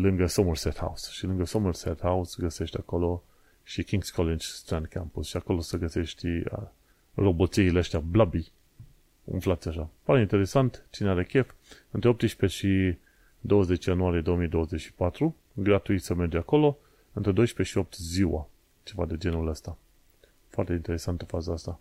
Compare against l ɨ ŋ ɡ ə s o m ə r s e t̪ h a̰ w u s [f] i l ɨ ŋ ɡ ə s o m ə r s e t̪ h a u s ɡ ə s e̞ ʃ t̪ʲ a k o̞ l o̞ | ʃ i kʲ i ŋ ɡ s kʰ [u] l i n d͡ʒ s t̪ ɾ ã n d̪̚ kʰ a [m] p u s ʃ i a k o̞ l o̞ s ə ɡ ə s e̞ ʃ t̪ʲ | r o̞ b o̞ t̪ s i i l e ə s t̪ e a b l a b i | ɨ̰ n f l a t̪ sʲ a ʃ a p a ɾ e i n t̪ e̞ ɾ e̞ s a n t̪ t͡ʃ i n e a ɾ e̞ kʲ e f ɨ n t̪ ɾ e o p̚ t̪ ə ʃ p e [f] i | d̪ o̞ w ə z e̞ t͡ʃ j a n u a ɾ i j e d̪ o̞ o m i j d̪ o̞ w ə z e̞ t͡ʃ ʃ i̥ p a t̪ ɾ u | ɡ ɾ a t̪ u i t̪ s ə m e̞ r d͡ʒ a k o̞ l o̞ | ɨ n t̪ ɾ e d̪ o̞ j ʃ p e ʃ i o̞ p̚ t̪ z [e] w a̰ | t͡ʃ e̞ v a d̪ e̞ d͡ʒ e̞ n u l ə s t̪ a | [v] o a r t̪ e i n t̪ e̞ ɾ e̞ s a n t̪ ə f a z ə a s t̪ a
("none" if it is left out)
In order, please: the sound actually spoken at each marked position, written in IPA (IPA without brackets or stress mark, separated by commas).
ʃ, o, m, ʃ, i, f